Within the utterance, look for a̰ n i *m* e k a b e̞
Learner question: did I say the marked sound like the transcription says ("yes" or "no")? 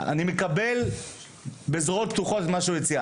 yes